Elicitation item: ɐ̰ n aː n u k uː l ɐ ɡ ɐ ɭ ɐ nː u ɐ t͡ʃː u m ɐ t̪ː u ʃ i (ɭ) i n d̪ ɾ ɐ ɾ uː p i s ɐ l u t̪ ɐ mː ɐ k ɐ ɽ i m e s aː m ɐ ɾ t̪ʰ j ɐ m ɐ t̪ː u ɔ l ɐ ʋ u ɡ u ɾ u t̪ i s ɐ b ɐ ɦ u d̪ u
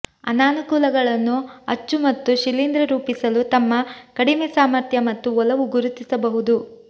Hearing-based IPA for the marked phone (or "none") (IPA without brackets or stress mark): l